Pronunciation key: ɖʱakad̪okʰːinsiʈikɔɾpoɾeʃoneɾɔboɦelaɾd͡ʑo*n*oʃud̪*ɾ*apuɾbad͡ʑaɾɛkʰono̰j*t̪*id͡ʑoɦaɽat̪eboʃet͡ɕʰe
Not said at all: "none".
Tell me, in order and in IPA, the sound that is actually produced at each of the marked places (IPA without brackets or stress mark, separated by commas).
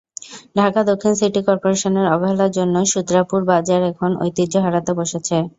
nː, ɾ, t̪